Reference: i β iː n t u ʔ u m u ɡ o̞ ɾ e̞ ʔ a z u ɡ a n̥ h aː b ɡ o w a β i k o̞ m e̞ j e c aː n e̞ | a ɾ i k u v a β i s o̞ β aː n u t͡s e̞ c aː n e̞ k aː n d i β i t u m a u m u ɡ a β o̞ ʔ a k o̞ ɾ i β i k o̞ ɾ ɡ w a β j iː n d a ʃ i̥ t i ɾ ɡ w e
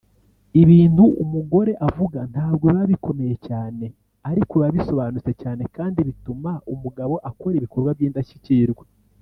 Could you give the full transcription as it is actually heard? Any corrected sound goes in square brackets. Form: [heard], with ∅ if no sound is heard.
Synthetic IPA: i β iː n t u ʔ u m u ɡ o̞ ɾ e̞ ʔ a [v] u ɡ a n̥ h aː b ɡ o [β] a β i k o̞ m e̞ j e c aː n e̞ | a ɾ i k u [β] a β i s o̞ β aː n u t͡s e̞ c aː n e̞ k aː n d i β i t u m a u m u ɡ a β o̞ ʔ a k o̞ ɾ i β i k o̞ ɾ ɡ w a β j iː n d a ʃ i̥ [c] i ɾ ɡ w e